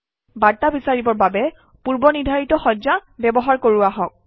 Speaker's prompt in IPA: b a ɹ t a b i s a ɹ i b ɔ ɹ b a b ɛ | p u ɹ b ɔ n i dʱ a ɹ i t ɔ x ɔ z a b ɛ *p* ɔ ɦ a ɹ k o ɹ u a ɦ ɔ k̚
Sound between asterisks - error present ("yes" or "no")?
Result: yes